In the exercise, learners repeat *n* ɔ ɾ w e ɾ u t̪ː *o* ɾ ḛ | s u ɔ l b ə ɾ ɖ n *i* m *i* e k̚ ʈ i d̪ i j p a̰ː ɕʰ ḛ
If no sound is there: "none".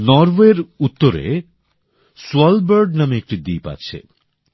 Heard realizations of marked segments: n, o, a, e

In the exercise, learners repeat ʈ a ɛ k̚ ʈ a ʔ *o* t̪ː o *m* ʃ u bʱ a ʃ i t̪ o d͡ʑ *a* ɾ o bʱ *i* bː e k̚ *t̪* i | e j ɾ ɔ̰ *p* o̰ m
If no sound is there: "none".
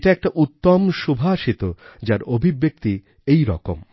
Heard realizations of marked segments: u, m, a, i, t̪, k

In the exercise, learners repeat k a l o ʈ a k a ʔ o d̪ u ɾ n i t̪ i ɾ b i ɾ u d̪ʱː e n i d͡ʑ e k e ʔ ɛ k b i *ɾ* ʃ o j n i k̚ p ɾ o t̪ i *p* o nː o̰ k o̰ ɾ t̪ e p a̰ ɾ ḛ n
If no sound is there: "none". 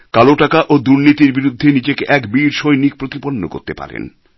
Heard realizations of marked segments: ɾ, p

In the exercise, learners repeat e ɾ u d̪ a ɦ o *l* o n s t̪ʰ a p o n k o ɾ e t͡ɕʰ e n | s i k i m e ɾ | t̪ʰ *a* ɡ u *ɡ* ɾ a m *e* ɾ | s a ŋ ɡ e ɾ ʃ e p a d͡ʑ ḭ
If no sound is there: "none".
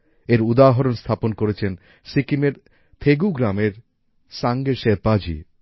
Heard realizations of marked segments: ɾ, e, ɡ, e

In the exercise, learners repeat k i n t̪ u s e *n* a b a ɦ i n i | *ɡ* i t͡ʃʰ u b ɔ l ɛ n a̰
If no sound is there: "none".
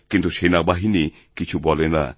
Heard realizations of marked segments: n, k

